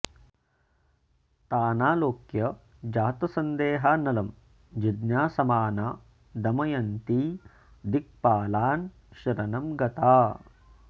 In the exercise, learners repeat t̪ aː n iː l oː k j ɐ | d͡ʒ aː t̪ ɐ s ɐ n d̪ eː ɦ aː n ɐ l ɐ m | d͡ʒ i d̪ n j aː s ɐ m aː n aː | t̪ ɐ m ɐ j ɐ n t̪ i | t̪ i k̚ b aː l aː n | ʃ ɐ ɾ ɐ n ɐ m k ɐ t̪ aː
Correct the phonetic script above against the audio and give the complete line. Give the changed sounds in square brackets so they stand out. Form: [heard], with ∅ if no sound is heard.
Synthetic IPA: t̪ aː n [aː] l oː k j ɐ | d͡ʒ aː t̪ ɐ s ɐ n d̪ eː ɦ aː n ɐ l ɐ m | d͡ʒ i d̪ n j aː s ɐ m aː n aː | [d̪] ɐ m ɐ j ɐ n t̪ i | [d̪] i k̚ [p] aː l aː n | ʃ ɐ ɾ ɐ n ɐ m [ɡ] ɐ t̪ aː

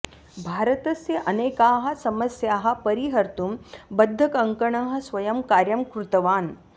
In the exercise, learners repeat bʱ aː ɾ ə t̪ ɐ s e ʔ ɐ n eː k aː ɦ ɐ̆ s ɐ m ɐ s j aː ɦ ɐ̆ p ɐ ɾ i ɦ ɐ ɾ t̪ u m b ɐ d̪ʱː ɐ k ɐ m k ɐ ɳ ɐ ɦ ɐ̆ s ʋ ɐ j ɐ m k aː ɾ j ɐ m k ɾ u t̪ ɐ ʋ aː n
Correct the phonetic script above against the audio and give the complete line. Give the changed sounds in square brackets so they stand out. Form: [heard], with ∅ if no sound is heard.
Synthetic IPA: bʱ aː ɾ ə t̪ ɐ s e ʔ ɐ n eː k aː ɦ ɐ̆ s ɐ m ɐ s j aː ɦ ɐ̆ p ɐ ɾ i ɦ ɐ ɾ t̪ u m b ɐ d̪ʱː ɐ k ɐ [ŋ] k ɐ ɳ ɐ ɦ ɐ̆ s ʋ ɐ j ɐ m k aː ɾ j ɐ m k ɾ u t̪ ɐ ʋ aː n

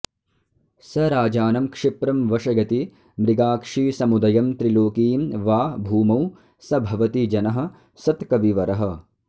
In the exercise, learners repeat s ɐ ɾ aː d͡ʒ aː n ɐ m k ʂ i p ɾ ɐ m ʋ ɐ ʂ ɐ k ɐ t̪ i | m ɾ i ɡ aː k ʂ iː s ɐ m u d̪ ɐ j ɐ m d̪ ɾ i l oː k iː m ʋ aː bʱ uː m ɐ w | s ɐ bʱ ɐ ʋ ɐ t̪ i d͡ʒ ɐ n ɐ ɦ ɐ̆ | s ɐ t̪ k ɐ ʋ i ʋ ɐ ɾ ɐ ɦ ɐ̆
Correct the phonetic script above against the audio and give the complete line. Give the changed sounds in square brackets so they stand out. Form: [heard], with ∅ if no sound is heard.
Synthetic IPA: s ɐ ɾ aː d͡ʒ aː n ɐ m k ʂ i p ɾ ɐ m ʋ ɐ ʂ ɐ [ɡ] ɐ t̪ i | m ɾ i ɡ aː k ʂ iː s ɐ m u d̪ ɐ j ɐ m [t̪] ɾ i l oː k iː m ʋ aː bʱ uː m ɐ w | s ɐ bʱ ɐ ʋ ɐ t̪ i d͡ʒ ɐ n ɐ ɦ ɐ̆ | s ɐ t̪ k ɐ ʋ i ʋ ɐ ɾ ɐ ɦ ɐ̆

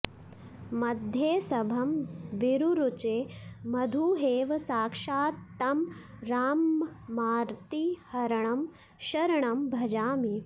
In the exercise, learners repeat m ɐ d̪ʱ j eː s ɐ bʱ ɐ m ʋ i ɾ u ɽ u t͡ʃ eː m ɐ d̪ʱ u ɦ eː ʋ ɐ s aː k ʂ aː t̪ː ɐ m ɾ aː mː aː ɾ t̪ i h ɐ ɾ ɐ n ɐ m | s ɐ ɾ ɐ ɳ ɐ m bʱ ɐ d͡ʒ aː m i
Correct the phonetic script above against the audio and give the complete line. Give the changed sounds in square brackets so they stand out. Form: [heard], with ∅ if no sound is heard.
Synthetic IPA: m ɐ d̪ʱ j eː s ɐ bʱ ɐ m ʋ i ɾ u [ɾ] u t͡ʃ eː m ɐ d̪ʱ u ɦ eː ʋ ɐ s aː k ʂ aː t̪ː ɐ m ɾ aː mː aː ɾ t̪ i h ɐ ɾ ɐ [ɳ] ɐ m | [ʃ] ɐ ɾ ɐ ɳ ɐ m bʱ ɐ d͡ʒ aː m i

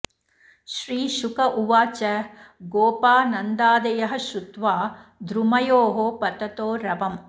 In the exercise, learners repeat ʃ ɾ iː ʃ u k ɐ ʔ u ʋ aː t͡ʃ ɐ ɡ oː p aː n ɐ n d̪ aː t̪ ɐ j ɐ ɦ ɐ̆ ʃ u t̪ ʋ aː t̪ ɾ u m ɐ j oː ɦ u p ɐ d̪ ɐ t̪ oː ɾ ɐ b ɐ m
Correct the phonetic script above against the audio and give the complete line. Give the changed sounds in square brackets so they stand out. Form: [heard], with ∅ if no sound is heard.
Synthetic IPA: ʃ ɾ iː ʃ u k ɐ ʔ u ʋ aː t͡ʃ ɐ ɡ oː p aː n ɐ n d̪ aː [d̪] ɐ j ɐ ɦ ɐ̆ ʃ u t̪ ʋ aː [d̪] ɾ u m ɐ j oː ɦ [o] p ɐ [t̪] ɐ t̪ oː ɾ ɐ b ɐ m

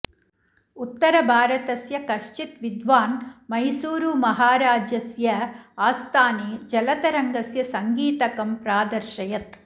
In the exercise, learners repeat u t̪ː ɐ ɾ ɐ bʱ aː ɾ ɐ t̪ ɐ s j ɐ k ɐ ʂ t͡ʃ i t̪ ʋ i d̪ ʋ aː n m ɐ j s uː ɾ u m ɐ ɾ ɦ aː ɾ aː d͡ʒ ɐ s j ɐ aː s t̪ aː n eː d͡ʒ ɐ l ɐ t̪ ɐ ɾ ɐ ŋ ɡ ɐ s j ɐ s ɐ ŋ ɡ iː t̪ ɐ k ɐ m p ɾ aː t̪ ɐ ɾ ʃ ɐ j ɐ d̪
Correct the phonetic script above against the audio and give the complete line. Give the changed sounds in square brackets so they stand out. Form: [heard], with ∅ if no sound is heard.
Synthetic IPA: u t̪ː ɐ ɾ ɐ bʱ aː ɾ ɐ t̪ ɐ s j ɐ k ɐ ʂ t͡ʃ i t̪ ʋ i d̪ ʋ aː n m ɐ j s uː ɾ u m ɐ [∅] ɦ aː ɾ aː d͡ʒ ɐ s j ɐ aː s t̪ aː n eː d͡ʒ ɐ l ɐ t̪ ɐ ɾ ɐ ŋ ɡ ɐ s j ɐ s ɐ ŋ ɡ iː t̪ ɐ k ɐ m p ɾ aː [d̪] ɐ ɾ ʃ ɐ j ɐ [t̪]

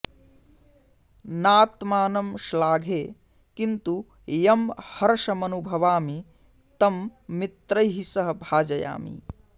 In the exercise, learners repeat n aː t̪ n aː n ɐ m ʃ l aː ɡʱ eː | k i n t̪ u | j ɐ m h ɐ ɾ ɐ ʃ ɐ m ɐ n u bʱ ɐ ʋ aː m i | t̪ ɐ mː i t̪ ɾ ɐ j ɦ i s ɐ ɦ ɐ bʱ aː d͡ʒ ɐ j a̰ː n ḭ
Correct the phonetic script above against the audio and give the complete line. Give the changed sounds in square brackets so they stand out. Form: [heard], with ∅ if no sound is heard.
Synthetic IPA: n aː t̪ [m] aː n ɐ m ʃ l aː ɡʱ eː | k i n t̪ u | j ɐ m h ɐ ɾ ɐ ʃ ɐ m ɐ n u bʱ ɐ ʋ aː m i | t̪ ɐ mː i t̪ ɾ ɐ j ɦ i s ɐ ɦ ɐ bʱ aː d͡ʒ ɐ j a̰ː [m] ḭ

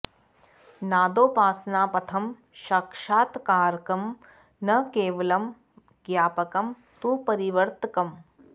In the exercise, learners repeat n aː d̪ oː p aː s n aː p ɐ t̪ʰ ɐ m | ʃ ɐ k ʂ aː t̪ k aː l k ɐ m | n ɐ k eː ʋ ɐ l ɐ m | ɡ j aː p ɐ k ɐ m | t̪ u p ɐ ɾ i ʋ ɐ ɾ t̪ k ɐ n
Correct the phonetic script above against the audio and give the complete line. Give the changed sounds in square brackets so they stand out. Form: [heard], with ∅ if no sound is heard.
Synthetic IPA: n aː d̪ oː p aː s n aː p ɐ t̪ʰ ɐ m | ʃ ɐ k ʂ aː t̪ k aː [ɾ] k ɐ m | n ɐ k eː ʋ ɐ l ɐ m | ɡ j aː p ɐ k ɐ m | t̪ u p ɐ ɾ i ʋ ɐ ɾ t̪ k ɐ [m]

